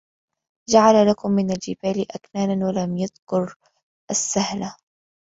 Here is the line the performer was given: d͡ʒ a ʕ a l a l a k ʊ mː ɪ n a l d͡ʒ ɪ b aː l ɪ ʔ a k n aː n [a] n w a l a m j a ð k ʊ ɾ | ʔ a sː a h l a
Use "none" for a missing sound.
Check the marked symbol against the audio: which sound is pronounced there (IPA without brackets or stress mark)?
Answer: a